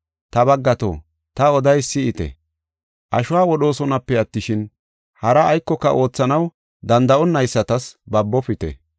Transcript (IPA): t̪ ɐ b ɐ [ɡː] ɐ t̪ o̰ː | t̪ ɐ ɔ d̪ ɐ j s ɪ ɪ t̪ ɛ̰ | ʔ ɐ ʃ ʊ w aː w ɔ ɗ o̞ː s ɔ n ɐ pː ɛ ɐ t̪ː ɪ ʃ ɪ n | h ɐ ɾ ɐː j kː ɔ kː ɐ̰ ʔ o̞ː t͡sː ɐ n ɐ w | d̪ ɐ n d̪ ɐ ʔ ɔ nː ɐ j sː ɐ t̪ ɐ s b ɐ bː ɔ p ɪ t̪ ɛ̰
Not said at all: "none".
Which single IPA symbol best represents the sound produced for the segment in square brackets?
ɡː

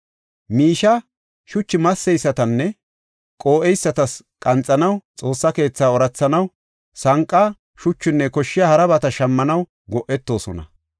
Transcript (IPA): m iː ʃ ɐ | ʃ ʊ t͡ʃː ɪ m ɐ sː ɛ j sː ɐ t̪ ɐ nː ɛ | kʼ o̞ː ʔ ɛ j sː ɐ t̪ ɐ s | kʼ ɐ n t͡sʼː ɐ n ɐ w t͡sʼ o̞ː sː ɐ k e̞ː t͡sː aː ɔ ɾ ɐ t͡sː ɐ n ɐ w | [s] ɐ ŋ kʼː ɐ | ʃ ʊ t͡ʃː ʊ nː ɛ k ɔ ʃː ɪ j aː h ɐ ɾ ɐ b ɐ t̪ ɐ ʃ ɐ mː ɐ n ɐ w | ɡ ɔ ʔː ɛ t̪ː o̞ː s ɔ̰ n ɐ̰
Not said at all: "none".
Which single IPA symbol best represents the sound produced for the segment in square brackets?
s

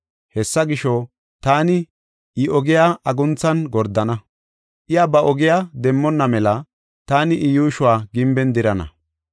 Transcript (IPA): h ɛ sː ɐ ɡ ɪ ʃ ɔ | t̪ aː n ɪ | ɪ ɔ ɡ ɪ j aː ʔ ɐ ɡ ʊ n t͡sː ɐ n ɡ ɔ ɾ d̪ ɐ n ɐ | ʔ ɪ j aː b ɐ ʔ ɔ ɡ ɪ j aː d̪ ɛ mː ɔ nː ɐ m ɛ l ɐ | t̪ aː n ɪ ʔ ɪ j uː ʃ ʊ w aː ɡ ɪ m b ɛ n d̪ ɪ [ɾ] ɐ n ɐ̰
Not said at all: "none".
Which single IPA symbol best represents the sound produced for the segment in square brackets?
ɾ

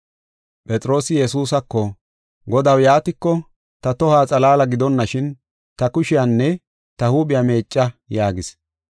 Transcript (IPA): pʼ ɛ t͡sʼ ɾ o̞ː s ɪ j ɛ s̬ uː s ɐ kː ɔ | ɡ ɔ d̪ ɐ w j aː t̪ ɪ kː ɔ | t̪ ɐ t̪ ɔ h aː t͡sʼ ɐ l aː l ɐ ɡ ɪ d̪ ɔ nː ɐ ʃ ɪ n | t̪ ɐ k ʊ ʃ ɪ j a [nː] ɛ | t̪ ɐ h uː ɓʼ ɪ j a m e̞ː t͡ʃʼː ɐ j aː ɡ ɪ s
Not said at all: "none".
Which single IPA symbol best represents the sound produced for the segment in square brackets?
nː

